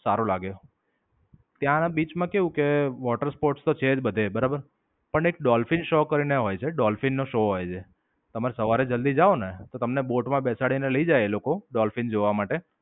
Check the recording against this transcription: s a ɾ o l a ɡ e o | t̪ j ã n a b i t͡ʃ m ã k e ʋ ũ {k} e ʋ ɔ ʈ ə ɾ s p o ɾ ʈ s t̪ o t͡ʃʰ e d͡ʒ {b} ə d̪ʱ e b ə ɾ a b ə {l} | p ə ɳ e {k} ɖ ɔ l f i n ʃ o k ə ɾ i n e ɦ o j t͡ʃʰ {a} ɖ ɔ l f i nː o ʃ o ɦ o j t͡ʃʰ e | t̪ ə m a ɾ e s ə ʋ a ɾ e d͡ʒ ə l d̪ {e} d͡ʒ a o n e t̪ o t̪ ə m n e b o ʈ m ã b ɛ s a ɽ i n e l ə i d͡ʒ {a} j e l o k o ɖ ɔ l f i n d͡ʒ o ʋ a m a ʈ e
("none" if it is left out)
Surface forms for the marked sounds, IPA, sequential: k, b, ɾ, k, e, i, a

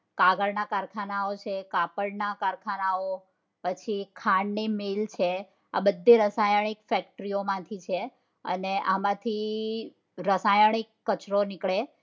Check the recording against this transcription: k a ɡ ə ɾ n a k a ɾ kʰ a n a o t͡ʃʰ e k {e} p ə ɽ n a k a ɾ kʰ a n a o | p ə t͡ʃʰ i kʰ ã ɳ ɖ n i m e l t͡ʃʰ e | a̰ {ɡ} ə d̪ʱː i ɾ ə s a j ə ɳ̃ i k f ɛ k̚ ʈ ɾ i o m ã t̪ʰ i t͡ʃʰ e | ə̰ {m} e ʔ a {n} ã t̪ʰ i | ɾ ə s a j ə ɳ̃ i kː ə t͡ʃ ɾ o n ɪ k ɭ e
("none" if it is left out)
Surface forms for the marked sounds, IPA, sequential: a, b, n, m

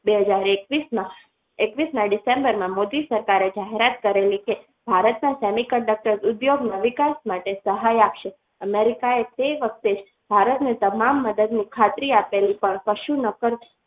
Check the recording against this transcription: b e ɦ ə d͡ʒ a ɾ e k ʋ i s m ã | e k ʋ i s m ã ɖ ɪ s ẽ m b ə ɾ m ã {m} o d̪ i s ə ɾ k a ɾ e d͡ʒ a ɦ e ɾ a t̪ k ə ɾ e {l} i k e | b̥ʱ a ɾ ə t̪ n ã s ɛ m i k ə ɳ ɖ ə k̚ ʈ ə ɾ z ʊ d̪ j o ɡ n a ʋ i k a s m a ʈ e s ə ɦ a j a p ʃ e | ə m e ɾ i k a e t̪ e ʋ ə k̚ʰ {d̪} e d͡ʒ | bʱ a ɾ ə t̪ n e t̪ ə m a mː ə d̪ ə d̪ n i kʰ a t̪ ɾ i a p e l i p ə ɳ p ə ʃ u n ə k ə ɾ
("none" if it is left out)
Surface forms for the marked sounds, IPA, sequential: m, l, t̪

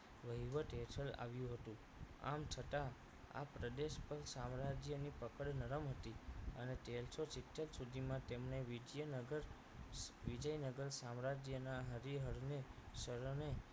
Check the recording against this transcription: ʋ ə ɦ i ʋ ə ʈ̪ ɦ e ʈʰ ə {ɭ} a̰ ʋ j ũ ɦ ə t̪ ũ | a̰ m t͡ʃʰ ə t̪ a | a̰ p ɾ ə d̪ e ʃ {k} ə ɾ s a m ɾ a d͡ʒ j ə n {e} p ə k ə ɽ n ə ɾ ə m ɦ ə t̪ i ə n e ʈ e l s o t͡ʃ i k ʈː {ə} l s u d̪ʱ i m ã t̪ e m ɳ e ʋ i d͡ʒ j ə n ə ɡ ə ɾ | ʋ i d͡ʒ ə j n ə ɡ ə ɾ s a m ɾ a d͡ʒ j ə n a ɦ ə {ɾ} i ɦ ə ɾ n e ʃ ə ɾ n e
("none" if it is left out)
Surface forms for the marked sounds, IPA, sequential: l, p, i, ə, ɾ

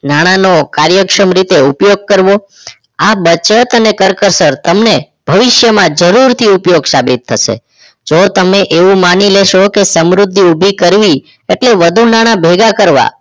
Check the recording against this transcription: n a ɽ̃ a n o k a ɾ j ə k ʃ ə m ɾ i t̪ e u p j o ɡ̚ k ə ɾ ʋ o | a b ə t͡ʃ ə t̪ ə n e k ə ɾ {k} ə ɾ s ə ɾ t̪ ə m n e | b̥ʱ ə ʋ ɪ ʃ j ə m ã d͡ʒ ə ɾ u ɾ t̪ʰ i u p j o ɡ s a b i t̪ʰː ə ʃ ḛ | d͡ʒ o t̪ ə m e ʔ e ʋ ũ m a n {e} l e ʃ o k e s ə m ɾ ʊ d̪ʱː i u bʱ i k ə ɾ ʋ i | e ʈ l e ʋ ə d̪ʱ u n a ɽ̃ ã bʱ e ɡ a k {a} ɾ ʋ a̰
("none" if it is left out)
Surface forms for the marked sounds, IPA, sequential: k, i, ə

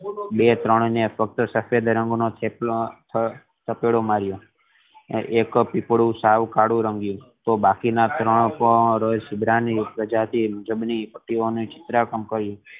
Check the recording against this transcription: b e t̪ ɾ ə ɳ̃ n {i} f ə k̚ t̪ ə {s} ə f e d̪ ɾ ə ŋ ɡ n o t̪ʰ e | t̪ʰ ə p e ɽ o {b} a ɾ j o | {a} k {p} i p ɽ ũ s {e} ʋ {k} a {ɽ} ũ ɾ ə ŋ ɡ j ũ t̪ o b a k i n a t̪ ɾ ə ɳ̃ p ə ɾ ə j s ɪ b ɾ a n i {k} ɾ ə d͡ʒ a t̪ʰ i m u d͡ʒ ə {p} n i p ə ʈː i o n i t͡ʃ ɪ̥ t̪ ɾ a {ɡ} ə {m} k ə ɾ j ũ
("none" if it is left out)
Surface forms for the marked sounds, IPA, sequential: e, s, m, e, p, a, k, ɽ, p, b, k, m

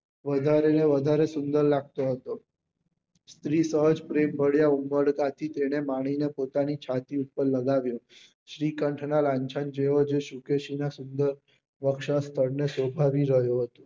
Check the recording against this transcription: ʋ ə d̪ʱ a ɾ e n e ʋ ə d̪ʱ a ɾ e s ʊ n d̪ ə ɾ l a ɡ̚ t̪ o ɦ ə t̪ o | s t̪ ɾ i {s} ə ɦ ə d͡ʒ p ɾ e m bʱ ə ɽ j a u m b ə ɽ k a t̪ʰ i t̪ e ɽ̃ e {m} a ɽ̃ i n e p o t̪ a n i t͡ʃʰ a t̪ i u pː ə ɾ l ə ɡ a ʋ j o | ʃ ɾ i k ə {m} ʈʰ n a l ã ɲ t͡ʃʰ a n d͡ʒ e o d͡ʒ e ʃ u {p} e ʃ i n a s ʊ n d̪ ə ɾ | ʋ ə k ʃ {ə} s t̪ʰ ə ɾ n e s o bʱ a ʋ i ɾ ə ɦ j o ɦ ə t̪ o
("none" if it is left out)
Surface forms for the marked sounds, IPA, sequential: s, m, ɳ, k, a

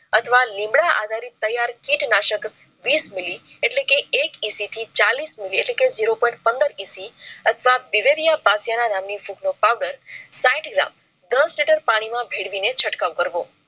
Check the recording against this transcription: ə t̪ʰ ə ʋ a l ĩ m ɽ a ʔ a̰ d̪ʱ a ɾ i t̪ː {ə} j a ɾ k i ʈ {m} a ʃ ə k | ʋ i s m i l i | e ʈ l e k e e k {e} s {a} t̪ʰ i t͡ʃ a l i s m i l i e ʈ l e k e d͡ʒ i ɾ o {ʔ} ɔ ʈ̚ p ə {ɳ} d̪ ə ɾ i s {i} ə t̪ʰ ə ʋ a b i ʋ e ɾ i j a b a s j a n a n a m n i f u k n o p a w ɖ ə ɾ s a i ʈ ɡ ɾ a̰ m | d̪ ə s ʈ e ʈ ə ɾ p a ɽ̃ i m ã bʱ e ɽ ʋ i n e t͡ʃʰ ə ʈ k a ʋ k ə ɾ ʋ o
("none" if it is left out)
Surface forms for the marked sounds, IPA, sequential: ə, n, i, i, p, n, i

